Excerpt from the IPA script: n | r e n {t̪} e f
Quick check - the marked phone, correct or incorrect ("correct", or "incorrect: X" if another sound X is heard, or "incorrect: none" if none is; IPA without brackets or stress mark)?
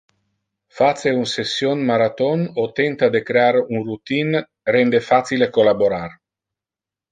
incorrect: d̪